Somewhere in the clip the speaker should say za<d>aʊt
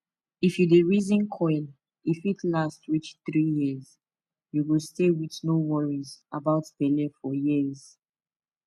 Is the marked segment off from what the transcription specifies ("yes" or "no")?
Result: yes